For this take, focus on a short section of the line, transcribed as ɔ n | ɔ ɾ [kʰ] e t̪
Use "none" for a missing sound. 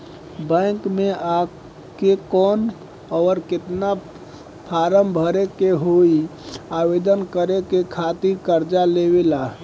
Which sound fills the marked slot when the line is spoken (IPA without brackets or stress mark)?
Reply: k